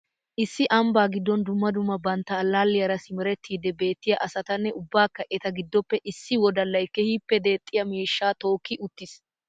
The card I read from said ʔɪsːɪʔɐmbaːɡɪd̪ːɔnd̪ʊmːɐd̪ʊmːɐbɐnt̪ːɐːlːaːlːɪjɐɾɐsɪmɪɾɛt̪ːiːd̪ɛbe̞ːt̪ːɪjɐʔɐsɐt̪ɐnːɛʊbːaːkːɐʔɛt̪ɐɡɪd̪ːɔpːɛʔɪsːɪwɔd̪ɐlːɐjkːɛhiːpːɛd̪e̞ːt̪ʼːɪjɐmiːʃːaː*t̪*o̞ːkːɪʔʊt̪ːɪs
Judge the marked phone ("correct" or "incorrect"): correct